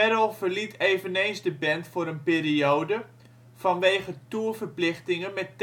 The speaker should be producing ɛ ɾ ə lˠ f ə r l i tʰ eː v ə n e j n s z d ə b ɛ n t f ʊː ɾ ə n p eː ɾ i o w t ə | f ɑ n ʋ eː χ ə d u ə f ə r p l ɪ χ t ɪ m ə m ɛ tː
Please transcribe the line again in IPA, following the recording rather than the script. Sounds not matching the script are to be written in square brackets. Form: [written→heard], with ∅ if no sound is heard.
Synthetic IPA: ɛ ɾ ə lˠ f ə r l i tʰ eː v ə n e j n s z d ə b ɛ n t f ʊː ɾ ə n p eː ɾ i o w [t→d] ə | f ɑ n ʋ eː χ ə [d→t] u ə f ə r p l ɪ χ t ɪ [m→ŋ] ə m ɛ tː